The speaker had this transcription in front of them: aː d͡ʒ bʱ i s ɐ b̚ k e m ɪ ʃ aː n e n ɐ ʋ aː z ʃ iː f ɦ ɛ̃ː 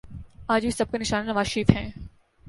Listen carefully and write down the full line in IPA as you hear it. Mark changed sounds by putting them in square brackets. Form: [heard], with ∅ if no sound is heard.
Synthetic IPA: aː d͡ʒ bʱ i s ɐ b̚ k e [n] ɪ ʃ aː n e n ɐ ʋ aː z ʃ iː f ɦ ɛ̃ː